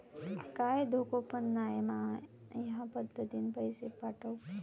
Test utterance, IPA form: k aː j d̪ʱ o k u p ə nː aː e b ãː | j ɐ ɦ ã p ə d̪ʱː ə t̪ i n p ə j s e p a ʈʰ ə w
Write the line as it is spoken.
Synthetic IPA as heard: k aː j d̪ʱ o k o p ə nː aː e m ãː | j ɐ ɦ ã p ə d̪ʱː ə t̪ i n p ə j s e p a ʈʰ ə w